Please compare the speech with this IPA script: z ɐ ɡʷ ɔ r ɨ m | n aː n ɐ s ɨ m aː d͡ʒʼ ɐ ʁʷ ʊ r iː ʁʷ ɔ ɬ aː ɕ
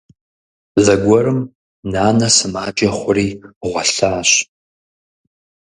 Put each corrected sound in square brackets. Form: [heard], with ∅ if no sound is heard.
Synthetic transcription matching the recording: z ɐ ɡʷ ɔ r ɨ m | n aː n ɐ s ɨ m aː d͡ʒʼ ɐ [χʷ] ʊ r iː ʁʷ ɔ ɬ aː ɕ